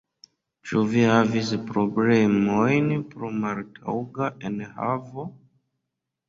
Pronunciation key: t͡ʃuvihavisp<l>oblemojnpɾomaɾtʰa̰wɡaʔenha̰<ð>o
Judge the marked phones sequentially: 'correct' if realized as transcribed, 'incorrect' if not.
incorrect: ɾ, incorrect: v

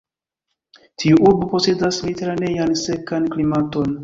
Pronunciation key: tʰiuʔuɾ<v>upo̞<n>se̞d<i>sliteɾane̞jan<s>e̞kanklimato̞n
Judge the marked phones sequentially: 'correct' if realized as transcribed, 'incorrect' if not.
incorrect: b, incorrect: none, incorrect: a, correct

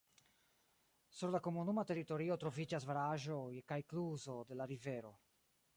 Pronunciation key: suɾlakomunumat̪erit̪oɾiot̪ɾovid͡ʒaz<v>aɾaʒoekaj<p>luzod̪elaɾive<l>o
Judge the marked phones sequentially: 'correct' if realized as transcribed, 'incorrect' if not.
correct, incorrect: k, incorrect: ɾ

